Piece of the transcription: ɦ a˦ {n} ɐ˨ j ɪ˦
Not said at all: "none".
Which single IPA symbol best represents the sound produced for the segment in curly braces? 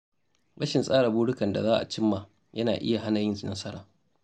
n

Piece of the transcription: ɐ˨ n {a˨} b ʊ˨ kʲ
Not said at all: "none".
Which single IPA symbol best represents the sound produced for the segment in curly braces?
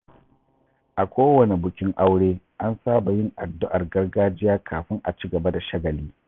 e˨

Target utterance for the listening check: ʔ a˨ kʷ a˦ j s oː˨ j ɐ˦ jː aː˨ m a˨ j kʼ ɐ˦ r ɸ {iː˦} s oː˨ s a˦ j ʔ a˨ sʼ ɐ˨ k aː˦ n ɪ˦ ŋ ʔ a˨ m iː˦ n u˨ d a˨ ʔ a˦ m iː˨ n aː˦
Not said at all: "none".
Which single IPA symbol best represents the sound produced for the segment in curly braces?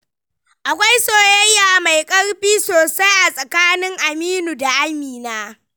iː˦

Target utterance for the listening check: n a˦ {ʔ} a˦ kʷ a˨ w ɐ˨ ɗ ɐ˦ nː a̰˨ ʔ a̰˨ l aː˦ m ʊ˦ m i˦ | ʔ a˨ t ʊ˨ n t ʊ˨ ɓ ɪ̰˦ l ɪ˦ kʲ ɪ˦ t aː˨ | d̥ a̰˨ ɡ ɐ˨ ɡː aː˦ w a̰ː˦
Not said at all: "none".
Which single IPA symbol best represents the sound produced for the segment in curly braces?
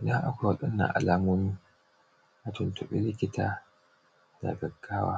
ʔ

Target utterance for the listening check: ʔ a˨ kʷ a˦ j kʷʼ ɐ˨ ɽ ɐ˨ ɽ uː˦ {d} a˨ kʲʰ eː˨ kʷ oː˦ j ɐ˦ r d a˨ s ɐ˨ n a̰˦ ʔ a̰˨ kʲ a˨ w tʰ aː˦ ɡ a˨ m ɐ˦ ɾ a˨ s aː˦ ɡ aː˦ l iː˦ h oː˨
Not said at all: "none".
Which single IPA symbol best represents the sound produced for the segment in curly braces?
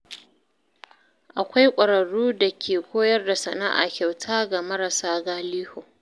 d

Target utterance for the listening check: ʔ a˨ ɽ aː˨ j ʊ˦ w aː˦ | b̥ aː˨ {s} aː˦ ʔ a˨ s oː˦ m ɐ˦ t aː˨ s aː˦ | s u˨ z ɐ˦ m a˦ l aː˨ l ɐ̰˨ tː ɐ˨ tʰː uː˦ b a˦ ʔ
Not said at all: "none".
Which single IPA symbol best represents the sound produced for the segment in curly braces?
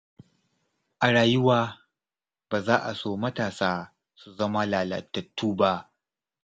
z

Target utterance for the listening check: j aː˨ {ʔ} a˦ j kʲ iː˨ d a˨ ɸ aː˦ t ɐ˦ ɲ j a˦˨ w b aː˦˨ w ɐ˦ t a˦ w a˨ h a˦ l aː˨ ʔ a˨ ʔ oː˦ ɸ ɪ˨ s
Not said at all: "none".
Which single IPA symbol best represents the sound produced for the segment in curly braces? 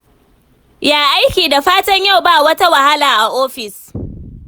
ʔ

